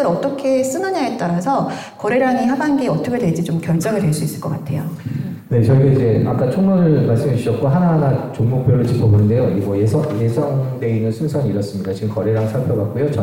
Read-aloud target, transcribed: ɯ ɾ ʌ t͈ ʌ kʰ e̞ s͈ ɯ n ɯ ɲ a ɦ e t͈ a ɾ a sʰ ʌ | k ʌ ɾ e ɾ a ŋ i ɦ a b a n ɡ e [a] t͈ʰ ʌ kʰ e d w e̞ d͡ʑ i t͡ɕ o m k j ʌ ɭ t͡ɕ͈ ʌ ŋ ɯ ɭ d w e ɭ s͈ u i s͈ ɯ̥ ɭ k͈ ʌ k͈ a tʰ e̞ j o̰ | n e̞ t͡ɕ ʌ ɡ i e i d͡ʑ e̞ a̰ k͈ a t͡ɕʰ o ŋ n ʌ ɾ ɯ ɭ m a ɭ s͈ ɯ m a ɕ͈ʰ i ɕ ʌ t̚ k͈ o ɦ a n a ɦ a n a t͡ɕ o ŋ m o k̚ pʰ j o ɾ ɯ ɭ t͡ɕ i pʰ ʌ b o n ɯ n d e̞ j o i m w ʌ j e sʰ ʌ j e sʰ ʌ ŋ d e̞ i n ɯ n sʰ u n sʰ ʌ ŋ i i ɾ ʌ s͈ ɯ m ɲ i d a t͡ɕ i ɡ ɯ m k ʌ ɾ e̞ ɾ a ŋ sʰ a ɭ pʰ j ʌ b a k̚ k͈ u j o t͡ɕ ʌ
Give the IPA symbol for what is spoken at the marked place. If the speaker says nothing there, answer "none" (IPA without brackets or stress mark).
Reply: ʌ